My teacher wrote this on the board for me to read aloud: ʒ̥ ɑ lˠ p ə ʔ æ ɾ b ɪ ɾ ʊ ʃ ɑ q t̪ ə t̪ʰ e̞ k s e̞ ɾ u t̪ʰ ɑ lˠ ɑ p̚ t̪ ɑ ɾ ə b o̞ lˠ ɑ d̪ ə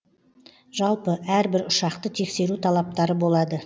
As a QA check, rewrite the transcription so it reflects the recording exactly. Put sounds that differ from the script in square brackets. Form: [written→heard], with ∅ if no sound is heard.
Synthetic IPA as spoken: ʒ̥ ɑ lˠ p ə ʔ æ ɾ b ɪ ɾ ʊ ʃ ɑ q t̪ ə t̪ʰ e̞ k s e̞ ɾ u t̪ʰ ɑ lˠ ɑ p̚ t̪ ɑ ɾ ə b o̞ lˠ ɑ d̪ ə

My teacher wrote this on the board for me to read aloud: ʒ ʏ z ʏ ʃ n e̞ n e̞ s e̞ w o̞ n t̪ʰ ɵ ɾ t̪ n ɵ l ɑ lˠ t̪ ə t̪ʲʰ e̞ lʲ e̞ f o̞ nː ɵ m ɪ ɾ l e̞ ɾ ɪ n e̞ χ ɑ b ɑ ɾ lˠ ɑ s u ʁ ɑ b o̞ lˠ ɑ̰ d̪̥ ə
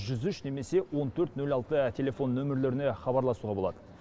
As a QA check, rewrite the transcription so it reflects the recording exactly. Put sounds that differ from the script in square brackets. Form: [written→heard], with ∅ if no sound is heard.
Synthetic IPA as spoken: ʒ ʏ z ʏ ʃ n e̞ [n→m] e̞ s e̞ w o̞ n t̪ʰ ɵ ɾ t̪ n ɵ l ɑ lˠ t̪ ə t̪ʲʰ e̞ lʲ e̞ f o̞ nː ɵ m ɪ ɾ l e̞ ɾ ɪ n e̞ χ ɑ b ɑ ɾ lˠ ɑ s u ʁ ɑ b o̞ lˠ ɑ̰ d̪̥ ə

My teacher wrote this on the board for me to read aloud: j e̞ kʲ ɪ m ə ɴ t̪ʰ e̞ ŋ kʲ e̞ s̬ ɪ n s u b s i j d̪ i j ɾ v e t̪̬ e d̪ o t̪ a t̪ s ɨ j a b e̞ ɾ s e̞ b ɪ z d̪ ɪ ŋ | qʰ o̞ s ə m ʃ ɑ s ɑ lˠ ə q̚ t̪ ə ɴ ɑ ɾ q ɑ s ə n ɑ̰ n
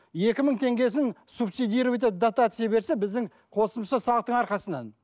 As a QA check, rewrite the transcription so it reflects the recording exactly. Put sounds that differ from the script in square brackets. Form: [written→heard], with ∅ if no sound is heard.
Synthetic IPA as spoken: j e̞ kʲ ɪ m ə ɴ t̪ʰ e̞ ŋ [kʲ→ɡʲ] e̞ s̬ ɪ n s u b s i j d̪ i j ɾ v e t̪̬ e d̪ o t̪ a t̪ s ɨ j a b e̞ ɾ s e̞ b ɪ z d̪ ɪ ŋ | qʰ o̞ s ə m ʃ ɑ s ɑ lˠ ə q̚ t̪ ə ɴ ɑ ɾ q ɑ s ə n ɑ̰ n

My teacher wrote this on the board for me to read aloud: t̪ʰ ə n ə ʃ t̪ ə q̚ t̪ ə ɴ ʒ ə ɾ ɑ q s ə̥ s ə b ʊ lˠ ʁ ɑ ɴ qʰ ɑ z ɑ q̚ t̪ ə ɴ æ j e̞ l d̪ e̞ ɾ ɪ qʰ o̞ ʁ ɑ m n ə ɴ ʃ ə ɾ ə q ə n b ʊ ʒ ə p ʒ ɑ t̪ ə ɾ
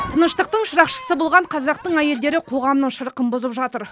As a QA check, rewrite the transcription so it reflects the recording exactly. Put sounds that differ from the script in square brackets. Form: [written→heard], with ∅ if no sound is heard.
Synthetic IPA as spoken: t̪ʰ ə n ə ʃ t̪ ə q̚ t̪ ə ɴ [ʒ→ʃ] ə ɾ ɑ q [s→ʃ] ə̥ s ə b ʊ lˠ ʁ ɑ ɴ qʰ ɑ z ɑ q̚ t̪ ə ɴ æ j e̞ l d̪ e̞ ɾ ɪ qʰ o̞ ʁ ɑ m n ə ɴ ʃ ə ɾ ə q ə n b ʊ [ʒ→z] ə p ʒ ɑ t̪ ə ɾ

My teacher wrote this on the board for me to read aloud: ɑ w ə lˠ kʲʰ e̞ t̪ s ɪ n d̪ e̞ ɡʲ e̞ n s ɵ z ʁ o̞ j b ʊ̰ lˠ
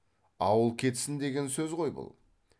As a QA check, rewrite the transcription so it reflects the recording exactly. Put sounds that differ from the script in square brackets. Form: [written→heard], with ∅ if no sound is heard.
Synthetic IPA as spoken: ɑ w ə lˠ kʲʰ e̞ t̪ s ɪ n d̪ e̞ ɡʲ e̞ n s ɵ z ʁ o̞ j b ʊ̰ lˠ

